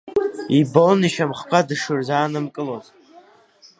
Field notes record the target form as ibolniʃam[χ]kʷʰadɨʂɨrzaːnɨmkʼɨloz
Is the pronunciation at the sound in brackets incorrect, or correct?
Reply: correct